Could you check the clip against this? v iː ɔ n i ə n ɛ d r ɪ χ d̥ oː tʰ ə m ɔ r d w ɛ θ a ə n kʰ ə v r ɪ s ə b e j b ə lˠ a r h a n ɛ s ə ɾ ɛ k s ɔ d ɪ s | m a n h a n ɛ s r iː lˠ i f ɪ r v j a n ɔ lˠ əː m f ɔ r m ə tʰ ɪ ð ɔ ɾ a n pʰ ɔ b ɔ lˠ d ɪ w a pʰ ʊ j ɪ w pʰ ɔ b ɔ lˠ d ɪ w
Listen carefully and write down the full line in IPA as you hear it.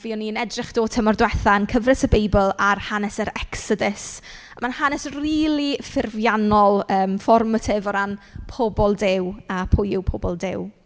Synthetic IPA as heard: v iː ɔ n i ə n ɛ d r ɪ χ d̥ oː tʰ ə m ɔ r d w ɛ θ a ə n kʰ ə v r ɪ s ə b e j b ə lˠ a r h a n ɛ s ə ɾ ɛ k s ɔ d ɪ s | m a n h a n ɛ s r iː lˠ i f ɪ r v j a n ɔ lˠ əː m f ɔ r m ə tʰ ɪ v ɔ ɾ a n pʰ ɔ b ɔ lˠ d ɪ w a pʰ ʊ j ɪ w pʰ ɔ b ɔ lˠ d ɪ w